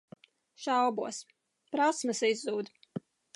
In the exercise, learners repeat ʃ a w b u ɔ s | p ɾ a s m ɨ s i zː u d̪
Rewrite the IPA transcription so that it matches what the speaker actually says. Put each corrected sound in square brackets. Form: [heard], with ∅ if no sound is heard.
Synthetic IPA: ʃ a w b u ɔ s | p ɾ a s m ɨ s i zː [uː] d̪